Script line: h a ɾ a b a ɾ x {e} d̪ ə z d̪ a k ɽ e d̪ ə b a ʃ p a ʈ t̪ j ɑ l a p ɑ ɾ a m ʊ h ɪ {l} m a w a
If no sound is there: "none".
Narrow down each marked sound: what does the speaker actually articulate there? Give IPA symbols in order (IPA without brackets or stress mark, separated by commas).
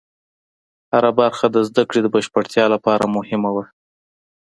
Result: a, none